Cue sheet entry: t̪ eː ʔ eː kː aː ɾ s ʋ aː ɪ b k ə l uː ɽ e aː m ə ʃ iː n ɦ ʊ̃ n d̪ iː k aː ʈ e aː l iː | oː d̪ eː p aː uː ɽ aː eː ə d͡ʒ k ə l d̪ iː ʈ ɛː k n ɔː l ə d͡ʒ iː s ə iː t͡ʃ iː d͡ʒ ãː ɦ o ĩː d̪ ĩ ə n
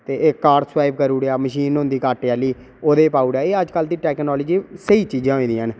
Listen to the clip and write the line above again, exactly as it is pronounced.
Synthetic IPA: t̪ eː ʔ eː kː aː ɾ s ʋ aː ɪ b k ə ɾ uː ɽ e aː m ə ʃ iː n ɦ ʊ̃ n d̪ iː k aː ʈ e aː l iː | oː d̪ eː p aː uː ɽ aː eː ə d͡ʒ k ə l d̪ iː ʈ ɛː k n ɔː l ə d͡ʒ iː s ə iː t͡ʃ iː d͡ʒ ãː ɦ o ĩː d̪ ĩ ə n